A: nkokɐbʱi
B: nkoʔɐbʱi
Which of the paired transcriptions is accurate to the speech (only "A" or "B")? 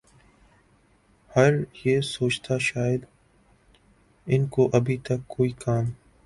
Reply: B